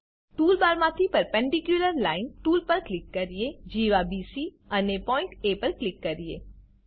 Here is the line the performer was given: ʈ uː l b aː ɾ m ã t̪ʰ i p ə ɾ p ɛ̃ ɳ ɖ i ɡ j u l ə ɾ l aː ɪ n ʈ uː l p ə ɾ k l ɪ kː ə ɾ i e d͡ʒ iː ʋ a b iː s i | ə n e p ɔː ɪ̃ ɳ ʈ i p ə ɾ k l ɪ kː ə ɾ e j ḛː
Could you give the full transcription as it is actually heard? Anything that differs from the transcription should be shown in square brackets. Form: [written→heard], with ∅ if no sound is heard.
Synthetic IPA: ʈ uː l b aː ɾ m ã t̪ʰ i p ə ɾ p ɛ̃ ɳ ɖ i [ɡ→k] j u l ə ɾ l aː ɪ n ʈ uː l p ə ɾ k l ɪ kː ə ɾ i e d͡ʒ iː ʋ a b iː s i | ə n e p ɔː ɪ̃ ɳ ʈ [i→e] p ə ɾ k l ɪ kː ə ɾ [e→i] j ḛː